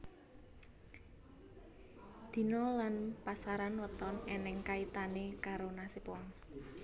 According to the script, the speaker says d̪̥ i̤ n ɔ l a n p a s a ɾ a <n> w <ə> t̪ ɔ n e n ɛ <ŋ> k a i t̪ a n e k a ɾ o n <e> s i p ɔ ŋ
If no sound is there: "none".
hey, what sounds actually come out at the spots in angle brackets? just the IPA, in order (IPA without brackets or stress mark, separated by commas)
n, ə, ŋ, a